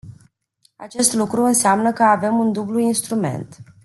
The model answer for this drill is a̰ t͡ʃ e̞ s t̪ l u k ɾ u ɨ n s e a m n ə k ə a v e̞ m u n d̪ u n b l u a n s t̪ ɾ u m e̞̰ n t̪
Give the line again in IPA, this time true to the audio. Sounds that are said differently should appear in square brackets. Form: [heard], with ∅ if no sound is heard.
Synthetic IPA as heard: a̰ t͡ʃ e̞ s t̪ l u k ɾ u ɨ n s e a m n ə k ə a v e̞ m u n d̪ u [∅] b l u [i] n s t̪ ɾ u m e̞̰ n t̪

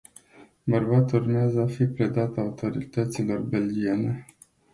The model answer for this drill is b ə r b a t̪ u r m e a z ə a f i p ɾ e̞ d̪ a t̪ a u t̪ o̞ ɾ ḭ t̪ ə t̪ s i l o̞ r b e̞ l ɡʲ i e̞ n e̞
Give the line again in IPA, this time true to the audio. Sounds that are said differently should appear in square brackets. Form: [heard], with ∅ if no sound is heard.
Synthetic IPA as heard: b ə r b a t̪ u r m e a z ə a f i p ɾ e̞ d̪ a t̪ a u t̪ o̞ ɾ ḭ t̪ ə t̪ s i l o̞ r b e̞ l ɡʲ i e̞ n e̞

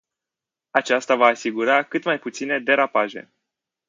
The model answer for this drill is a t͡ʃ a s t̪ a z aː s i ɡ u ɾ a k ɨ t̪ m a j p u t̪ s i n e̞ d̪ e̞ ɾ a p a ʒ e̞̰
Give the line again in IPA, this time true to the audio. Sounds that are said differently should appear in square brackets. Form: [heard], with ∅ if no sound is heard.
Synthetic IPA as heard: a t͡ʃ a s t̪ a [v] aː s i ɡ u ɾ a k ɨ t̪ m a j p u t̪ s i n e̞ d̪ e̞ ɾ a p a ʒ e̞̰

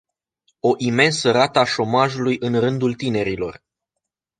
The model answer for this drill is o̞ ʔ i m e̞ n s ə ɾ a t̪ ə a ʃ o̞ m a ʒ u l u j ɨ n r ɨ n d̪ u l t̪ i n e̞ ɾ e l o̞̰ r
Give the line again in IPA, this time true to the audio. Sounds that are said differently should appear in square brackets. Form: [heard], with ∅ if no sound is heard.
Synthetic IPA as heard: o̞ ʔ i m e̞ n s ə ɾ a t̪ ə a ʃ o̞ m a ʒ u l u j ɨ n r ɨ n d̪ u l t̪ i n e̞ ɾ [i] l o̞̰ r

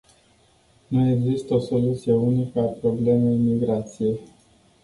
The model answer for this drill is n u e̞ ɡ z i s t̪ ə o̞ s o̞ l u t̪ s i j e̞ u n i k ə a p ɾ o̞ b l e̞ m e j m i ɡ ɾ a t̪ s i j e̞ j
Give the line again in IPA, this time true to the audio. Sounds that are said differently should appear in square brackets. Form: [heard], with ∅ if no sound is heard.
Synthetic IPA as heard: n u e̞ ɡ z i s t̪ ə o̞ s o̞ l u t̪ s i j e̞ u n i k ə a p ɾ o̞ b l e̞ m e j m i ɡ ɾ a t̪ s i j e̞ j

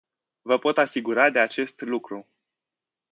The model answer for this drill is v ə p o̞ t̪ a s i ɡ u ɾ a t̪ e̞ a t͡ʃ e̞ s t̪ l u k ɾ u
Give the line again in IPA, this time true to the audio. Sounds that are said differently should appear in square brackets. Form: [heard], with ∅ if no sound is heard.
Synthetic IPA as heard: v ə p o̞ t̪ a s i ɡ u ɾ a [d̪] e̞ a t͡ʃ e̞ s t̪ l u k ɾ u

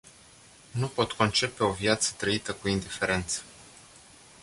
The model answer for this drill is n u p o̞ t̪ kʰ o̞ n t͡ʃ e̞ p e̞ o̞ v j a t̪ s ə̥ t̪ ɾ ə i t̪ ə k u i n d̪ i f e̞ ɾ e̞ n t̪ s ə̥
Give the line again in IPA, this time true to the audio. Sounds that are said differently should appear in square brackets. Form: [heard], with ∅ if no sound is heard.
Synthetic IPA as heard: n u p o̞ t̪ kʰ o̞ n t͡ʃ e̞ p e̞ o̞ v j a t̪ s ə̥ t̪ ɾ ə i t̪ ə k u i n d̪ i f e̞ ɾ e̞ n t̪ s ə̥

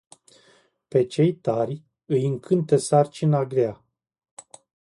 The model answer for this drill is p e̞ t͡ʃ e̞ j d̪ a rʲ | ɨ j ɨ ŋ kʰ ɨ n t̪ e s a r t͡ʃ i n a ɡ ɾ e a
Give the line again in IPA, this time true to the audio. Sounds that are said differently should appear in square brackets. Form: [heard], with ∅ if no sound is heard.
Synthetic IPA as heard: p e̞ t͡ʃ e̞ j [t̪] a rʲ | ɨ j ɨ ŋ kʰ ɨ n t̪ e s a r t͡ʃ i n a ɡ ɾ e a

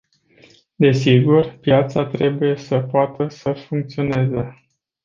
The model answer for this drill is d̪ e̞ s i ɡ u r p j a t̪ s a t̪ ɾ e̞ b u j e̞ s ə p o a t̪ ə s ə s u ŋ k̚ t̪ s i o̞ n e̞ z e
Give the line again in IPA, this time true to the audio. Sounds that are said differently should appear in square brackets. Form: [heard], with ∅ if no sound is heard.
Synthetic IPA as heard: d̪ e̞ s i ɡ u r p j a t̪ s a t̪ ɾ e̞ b u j e̞ s ə p o a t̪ ə s ə [f] u ŋ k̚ t̪ s i o̞ n e̞ z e

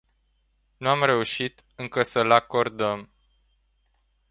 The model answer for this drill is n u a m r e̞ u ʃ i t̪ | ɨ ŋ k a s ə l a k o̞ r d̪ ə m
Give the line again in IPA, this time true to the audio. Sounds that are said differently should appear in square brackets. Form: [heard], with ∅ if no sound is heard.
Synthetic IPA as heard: n u a m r e̞ u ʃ i t̪ | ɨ ŋ k [ə] s ə l a k o̞ r d̪ ə m

